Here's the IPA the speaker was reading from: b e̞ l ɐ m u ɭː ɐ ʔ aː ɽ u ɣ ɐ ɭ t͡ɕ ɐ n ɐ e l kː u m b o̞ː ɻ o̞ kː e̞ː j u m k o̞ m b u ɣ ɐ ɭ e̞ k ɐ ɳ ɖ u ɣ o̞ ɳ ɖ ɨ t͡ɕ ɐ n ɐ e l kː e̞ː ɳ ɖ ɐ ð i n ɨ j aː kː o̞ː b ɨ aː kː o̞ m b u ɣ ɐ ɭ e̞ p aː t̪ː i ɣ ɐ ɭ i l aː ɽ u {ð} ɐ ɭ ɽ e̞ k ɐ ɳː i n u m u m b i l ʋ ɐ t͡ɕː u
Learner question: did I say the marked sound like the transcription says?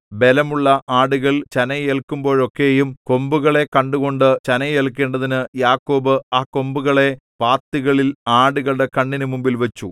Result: no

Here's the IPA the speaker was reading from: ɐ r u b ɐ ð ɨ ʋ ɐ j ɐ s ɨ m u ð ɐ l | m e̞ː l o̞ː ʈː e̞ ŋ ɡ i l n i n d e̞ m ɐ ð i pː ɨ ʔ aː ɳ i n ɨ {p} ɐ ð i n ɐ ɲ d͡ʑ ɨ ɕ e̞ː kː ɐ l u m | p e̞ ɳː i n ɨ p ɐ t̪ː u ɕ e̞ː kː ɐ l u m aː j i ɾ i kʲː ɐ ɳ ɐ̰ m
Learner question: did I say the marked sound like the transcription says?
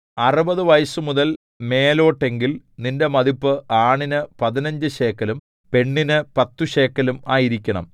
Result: yes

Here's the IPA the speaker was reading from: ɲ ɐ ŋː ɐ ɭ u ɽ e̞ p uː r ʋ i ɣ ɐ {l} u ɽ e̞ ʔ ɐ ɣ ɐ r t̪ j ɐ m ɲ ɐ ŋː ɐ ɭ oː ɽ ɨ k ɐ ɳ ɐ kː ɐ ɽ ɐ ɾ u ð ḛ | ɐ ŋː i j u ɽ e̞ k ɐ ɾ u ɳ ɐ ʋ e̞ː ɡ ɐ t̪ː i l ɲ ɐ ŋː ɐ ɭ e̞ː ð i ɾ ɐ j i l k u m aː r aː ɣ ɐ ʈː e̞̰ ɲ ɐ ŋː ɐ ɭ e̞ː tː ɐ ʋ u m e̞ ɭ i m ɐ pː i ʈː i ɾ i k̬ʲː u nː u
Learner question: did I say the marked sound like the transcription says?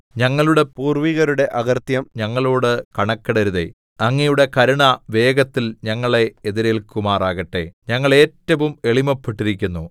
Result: no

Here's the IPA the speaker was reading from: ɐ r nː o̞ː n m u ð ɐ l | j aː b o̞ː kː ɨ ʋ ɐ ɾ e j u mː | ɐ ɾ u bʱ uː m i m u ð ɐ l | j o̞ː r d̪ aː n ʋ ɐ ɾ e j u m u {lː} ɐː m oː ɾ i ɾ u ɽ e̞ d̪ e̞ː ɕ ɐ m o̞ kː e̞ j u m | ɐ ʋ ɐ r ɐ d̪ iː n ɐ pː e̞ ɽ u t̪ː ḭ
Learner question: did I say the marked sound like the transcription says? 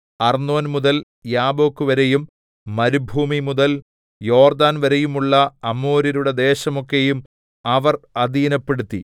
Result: no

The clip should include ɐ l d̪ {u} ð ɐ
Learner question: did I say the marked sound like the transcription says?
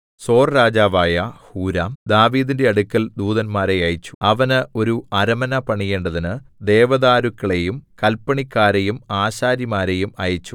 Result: no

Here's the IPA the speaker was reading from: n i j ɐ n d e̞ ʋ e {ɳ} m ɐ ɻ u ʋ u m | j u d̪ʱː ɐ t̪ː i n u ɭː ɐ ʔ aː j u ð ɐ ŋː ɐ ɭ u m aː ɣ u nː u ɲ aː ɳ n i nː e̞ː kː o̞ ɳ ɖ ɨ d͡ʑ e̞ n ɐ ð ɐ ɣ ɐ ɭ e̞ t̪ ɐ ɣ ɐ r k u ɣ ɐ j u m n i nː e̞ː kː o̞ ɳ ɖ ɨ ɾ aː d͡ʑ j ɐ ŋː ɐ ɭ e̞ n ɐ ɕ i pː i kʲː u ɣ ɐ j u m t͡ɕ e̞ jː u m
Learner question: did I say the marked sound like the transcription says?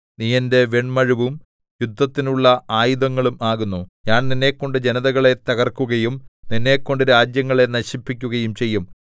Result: yes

